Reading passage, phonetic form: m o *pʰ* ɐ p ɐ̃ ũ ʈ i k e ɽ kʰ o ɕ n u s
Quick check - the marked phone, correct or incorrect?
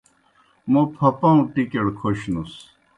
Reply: correct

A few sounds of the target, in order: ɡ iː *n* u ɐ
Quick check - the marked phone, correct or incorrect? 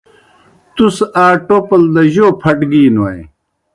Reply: correct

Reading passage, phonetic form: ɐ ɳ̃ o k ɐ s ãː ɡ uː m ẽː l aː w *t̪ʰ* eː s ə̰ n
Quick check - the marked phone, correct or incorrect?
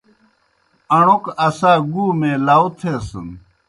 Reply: correct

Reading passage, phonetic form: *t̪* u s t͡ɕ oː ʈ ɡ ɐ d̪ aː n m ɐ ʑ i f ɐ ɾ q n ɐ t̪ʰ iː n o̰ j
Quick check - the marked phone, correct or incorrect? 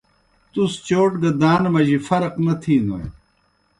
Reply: correct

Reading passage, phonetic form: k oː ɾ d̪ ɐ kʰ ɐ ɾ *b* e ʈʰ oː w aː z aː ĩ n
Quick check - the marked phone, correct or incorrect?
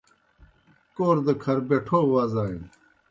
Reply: correct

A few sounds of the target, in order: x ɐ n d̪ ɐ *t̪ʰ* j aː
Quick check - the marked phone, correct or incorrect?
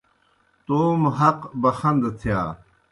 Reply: correct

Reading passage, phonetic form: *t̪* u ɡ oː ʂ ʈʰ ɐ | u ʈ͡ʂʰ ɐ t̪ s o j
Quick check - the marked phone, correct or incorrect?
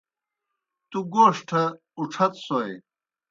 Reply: correct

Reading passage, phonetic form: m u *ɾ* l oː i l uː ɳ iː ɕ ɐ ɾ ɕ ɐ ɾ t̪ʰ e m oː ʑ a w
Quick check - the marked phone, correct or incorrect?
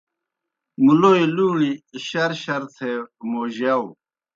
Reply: incorrect: none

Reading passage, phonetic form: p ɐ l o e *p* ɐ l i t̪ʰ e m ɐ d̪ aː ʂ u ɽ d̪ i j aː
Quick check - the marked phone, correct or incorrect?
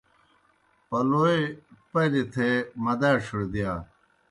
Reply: correct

